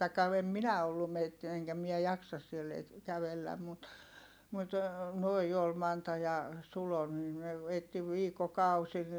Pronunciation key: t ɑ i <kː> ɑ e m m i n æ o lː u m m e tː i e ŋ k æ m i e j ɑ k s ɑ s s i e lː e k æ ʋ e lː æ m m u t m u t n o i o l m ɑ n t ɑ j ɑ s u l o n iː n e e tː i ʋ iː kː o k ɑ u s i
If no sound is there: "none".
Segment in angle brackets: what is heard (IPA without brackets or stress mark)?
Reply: kː